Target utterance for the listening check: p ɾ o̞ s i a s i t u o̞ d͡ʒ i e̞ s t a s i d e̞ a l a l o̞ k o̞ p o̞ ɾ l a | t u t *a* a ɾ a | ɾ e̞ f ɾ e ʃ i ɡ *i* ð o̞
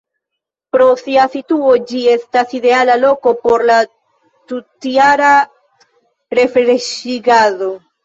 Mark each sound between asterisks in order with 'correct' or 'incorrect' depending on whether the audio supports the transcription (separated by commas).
incorrect, incorrect